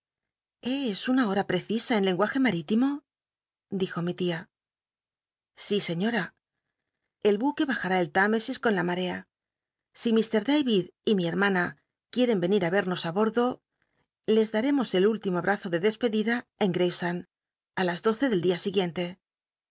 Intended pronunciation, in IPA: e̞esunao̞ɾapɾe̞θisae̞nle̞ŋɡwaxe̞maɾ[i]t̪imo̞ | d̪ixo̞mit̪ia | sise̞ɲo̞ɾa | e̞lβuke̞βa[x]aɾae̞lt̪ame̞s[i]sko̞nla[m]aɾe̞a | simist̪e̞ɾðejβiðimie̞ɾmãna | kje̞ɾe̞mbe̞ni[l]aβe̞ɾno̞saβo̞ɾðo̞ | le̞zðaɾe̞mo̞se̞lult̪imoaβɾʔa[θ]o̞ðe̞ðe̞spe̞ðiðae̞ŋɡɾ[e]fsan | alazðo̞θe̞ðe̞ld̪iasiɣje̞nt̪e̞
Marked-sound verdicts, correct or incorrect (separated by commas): correct, correct, correct, correct, incorrect, correct, correct